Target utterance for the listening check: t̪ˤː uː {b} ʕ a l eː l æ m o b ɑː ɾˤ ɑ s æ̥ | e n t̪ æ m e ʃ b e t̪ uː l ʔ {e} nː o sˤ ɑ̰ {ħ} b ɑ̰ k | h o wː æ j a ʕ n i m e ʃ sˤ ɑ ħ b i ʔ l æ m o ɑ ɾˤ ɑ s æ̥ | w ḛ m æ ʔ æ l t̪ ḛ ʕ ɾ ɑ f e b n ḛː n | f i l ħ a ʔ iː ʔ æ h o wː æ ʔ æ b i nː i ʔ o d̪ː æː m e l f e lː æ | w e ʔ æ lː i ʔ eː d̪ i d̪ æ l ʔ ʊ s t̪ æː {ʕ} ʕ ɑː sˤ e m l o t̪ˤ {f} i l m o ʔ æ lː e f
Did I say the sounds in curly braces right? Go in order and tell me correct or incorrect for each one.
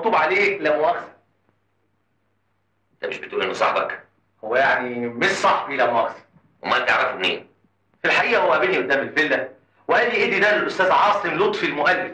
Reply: correct, correct, correct, incorrect: z, correct

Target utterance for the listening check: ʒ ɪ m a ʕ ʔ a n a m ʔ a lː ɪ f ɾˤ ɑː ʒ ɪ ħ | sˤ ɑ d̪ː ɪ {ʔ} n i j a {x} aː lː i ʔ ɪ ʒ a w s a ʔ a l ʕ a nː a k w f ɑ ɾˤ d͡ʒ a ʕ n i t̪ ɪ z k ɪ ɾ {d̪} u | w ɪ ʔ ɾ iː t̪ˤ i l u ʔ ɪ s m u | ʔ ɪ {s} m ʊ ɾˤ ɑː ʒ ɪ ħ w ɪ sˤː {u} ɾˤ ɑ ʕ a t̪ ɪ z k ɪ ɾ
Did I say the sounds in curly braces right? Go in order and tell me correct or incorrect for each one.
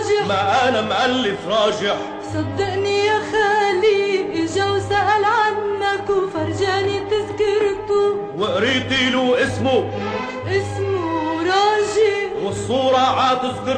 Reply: correct, correct, incorrect: t̪, correct, incorrect: uː

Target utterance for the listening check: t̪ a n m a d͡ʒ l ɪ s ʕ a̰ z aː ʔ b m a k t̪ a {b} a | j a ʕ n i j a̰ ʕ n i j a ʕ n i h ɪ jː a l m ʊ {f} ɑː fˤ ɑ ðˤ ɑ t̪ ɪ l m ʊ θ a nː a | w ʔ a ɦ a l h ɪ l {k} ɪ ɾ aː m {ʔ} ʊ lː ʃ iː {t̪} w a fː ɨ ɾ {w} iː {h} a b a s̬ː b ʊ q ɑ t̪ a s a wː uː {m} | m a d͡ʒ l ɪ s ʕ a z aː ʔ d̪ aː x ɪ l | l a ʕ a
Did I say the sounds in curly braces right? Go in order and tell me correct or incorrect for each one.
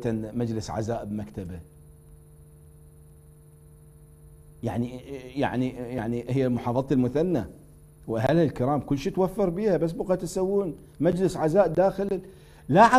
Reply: correct, incorrect: ħ, correct, incorrect: k, correct, incorrect: b, correct, incorrect: n

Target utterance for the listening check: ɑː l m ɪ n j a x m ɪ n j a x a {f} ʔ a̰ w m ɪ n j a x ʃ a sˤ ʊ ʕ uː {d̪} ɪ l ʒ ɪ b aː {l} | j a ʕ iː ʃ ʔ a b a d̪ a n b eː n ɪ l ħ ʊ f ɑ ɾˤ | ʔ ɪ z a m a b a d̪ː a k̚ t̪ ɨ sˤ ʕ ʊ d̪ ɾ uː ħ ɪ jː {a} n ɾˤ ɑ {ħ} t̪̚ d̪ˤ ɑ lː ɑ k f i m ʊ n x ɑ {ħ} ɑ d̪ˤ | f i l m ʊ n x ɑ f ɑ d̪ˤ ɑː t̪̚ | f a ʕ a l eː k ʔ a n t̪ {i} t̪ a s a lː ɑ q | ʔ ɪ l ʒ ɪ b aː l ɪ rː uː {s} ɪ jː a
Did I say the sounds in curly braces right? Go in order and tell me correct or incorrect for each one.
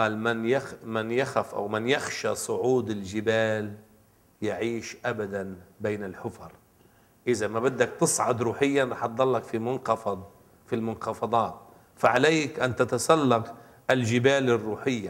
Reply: correct, correct, correct, correct, correct, incorrect: f, incorrect: a, incorrect: ħ

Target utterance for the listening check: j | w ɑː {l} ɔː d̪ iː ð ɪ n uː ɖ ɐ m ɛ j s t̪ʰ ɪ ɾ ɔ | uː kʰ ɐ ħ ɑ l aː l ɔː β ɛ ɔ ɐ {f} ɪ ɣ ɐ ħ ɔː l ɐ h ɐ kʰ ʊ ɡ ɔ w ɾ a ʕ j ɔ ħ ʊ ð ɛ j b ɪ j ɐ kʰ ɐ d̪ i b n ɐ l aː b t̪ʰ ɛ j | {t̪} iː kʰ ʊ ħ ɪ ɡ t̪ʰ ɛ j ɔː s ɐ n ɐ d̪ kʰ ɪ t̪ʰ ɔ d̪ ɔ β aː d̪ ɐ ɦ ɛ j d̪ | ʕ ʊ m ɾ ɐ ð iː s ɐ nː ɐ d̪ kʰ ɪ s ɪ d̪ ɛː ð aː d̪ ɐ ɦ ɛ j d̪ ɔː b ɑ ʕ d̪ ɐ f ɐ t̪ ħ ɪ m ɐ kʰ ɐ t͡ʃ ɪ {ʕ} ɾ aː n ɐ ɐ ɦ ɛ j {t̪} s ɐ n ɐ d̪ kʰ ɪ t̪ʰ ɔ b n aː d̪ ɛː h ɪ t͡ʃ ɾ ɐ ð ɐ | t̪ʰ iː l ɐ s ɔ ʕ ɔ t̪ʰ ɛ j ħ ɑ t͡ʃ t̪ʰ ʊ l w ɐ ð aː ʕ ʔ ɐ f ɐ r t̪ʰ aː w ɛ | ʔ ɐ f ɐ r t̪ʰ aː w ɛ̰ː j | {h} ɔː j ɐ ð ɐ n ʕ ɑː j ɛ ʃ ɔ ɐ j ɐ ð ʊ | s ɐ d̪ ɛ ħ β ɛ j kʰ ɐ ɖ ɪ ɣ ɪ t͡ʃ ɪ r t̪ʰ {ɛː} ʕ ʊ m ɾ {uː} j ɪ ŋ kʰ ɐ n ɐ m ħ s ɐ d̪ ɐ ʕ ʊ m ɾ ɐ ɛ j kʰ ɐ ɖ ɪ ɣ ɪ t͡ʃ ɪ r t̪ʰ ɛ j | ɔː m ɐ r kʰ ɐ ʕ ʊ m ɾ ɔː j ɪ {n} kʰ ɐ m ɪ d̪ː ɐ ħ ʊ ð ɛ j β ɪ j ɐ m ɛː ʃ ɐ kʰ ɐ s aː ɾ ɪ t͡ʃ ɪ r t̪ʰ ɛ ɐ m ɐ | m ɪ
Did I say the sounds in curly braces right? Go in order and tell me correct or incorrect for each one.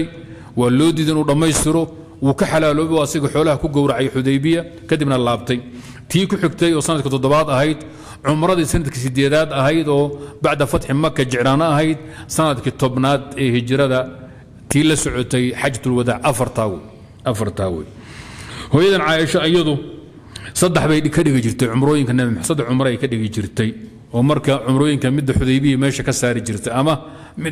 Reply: correct, incorrect: s, incorrect: t̪ʰ, correct, incorrect: d̪, correct, incorrect: ɛ, incorrect: ɔː, incorrect: ŋ

